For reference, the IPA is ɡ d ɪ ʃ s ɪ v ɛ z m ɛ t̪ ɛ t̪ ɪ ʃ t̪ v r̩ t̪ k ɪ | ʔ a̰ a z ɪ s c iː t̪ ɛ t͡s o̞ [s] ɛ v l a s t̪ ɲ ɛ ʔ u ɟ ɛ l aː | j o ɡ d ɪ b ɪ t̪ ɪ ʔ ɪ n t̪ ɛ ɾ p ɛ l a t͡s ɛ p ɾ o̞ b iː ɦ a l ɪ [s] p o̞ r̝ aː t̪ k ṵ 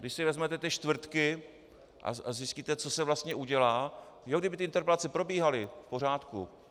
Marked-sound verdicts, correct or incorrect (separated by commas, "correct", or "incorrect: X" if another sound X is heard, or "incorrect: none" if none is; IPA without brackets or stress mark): correct, incorrect: f